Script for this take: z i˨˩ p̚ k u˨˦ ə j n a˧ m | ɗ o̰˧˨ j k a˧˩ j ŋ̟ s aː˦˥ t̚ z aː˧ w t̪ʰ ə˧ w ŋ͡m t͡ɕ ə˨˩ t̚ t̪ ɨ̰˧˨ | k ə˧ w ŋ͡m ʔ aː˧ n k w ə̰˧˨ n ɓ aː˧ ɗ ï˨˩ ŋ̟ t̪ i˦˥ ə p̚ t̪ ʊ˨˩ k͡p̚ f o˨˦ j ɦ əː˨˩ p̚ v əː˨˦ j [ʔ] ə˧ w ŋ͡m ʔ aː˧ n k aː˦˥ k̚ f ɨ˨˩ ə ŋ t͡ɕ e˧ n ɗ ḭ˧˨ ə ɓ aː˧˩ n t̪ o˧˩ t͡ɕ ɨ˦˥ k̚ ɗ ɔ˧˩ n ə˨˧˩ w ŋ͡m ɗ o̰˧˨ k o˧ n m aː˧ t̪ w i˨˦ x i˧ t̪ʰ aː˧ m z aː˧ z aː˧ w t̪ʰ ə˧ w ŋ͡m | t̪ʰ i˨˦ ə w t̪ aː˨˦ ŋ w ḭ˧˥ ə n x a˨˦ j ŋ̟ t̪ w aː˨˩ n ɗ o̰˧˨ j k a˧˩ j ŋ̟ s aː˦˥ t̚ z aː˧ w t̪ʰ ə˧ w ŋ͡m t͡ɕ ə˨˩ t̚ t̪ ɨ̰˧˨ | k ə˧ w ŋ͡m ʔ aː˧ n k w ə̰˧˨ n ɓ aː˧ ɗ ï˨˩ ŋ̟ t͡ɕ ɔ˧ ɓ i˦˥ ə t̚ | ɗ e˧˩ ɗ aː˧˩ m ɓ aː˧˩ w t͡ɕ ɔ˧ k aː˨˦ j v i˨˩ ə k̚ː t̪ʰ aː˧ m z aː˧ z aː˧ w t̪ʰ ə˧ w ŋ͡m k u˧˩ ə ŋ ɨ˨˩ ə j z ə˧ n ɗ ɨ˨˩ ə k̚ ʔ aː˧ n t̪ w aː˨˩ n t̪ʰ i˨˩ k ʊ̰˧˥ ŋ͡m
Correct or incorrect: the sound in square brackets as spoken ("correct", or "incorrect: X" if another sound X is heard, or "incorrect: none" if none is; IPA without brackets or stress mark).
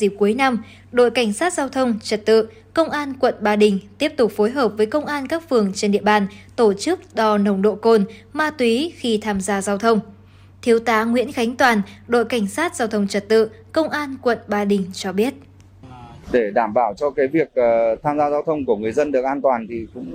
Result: incorrect: k